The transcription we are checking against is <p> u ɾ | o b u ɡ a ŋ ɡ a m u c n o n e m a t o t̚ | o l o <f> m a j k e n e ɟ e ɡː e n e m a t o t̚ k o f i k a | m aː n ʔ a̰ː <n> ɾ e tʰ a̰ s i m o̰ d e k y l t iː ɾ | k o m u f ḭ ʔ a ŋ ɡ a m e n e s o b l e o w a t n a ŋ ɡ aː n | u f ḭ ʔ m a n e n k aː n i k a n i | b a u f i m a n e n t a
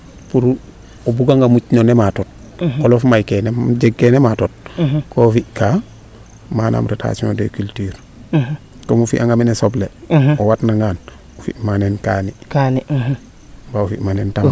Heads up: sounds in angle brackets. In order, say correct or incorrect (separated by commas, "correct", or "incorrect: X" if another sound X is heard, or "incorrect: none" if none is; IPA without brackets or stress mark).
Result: correct, correct, incorrect: m